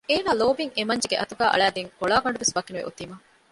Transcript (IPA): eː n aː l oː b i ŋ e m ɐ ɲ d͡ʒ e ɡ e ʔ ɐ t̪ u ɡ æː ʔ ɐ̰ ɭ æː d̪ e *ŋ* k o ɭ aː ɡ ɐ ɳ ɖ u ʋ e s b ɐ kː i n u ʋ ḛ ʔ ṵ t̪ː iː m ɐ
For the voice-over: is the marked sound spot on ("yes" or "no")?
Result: yes